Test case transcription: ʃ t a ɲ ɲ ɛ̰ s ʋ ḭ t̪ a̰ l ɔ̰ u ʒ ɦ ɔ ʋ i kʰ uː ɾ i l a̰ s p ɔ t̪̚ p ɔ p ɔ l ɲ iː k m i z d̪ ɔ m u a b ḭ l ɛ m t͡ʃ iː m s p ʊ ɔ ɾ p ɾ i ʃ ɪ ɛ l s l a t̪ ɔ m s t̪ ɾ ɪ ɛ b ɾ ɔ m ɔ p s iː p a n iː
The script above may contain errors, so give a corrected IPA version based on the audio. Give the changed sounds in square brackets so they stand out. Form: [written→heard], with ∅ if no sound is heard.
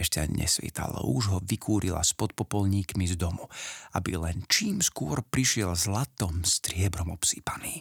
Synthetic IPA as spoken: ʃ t a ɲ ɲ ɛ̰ s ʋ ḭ t̪ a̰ l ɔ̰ u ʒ ɦ ɔ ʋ i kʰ uː ɾ i l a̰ s p ɔ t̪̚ p ɔ p ɔ l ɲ iː k m i z d̪ ɔ m u a b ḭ l ɛ [m→n] t͡ʃ iː m s [p→k] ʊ ɔ ɾ p ɾ i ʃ ɪ ɛ l [s→z] l a t̪ ɔ m s t̪ ɾ ɪ ɛ b ɾ ɔ m ɔ p s iː p a n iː